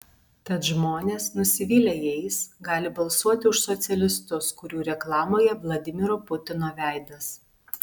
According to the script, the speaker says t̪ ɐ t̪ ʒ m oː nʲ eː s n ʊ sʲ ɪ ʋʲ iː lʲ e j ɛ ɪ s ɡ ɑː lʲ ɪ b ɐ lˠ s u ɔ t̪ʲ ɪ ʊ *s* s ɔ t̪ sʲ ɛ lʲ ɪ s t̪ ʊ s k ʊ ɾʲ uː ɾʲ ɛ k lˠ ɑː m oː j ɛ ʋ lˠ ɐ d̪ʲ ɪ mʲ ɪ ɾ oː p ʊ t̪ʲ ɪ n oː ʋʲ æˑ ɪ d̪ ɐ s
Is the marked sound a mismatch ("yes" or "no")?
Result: yes